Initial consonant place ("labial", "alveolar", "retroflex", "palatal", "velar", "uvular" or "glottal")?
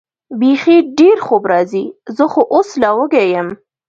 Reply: labial